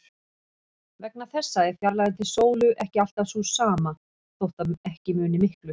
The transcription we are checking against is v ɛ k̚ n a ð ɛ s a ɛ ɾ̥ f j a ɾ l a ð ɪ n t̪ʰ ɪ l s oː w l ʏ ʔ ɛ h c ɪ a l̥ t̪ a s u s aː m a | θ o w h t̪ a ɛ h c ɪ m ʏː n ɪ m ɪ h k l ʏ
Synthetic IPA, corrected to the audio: v ɛ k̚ n a θ ɛ sː a ɛ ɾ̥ f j a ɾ l a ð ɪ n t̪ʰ ɪ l s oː w l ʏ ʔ ɛ h c ɪ a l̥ t̪ a s u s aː m a | θ o w h t̪ a ɛ h c ɪ m ʏː n ɪ m ɪ h k l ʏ